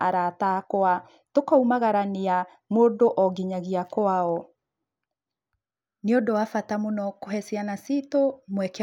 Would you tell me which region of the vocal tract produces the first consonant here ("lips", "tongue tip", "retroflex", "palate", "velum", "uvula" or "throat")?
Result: tongue tip